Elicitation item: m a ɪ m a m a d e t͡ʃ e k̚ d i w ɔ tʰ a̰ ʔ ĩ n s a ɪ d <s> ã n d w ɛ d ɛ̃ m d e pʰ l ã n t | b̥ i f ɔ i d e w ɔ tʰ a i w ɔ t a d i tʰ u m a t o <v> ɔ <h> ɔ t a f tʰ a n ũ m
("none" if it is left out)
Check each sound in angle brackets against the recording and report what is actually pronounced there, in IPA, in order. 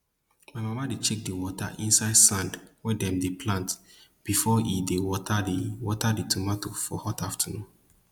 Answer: s, f, h

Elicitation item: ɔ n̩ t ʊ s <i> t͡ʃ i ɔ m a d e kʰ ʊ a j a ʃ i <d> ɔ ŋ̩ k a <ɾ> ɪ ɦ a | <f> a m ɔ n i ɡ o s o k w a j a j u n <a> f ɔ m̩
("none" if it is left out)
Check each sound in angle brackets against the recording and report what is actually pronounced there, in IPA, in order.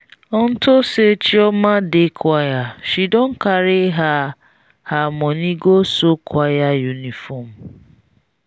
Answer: e, d, ɾ, h, i

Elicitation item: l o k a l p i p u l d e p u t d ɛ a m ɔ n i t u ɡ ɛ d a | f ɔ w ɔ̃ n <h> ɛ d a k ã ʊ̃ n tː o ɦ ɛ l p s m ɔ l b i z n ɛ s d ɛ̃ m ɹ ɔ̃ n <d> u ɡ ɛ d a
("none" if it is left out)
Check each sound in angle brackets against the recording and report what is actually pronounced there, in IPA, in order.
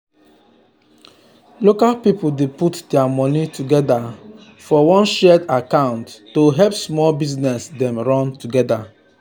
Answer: ʃ, t

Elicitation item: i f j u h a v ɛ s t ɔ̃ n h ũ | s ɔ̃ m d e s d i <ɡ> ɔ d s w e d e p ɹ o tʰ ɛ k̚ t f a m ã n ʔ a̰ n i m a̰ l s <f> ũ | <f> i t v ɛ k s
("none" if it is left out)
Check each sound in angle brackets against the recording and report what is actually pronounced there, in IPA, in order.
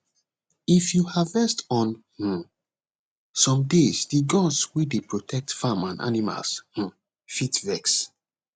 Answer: ɡ, h, f

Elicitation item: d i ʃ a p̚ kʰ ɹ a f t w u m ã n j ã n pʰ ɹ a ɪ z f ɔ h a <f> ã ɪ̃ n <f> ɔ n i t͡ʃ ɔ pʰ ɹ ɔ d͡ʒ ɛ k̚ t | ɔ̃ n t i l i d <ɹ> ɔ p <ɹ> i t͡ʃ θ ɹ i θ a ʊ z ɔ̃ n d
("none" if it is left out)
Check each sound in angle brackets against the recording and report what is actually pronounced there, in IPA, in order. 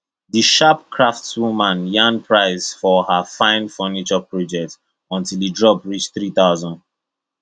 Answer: f, f, ɹ, ɹ

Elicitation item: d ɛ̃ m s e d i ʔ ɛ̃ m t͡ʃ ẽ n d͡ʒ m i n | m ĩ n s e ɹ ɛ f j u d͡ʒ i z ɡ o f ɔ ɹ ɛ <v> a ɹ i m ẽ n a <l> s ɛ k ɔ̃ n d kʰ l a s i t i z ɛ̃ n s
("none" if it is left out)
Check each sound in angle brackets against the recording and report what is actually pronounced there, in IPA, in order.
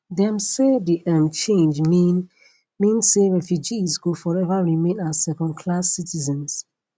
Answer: v, none

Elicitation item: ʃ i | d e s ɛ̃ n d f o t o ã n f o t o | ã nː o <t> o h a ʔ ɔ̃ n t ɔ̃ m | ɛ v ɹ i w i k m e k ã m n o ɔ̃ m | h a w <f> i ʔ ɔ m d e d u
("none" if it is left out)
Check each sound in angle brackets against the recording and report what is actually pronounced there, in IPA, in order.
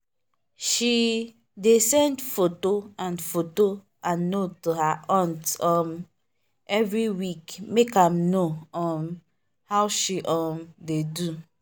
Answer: t, ʃ

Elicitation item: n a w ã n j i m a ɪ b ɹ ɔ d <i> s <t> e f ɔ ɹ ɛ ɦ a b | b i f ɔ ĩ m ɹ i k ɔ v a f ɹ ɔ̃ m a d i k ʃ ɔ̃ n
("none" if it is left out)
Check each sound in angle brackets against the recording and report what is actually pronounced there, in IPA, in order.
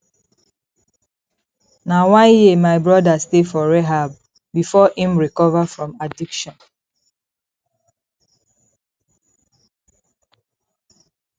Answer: a, t

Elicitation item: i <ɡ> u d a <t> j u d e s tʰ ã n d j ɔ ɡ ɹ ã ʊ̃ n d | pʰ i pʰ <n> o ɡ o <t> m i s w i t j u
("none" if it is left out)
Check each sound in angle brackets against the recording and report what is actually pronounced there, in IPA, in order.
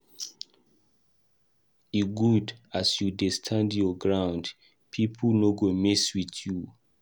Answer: ɡ, s, n, none

